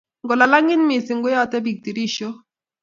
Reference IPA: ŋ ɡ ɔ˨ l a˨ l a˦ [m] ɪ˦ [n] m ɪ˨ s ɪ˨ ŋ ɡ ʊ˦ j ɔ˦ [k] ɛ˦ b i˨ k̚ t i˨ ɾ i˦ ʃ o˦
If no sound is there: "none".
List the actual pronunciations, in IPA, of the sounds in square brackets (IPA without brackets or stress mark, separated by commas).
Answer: ŋ, n, t